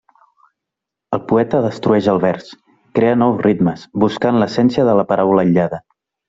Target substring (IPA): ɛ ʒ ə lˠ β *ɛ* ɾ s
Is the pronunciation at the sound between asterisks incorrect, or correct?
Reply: correct